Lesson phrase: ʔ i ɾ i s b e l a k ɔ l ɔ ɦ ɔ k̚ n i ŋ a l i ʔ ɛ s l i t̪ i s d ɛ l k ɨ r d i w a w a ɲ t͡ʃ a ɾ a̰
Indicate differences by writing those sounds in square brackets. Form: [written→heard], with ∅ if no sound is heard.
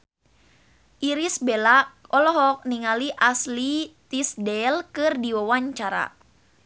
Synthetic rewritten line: ʔ i ɾ i s b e l a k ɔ l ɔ ɦ ɔ k̚ n i ŋ a l i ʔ [ɛ→a] s l i t̪ i s d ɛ l k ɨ r d i w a w a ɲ t͡ʃ a ɾ a̰